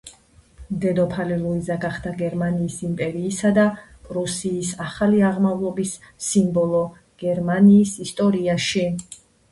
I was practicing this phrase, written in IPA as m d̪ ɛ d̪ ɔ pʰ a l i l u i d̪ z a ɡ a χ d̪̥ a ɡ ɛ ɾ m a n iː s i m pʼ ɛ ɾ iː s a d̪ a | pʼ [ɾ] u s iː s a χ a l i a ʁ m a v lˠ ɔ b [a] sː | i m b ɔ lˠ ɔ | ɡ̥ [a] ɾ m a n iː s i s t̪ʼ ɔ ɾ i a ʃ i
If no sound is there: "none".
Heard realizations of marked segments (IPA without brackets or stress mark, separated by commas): ɾ, i, ɛ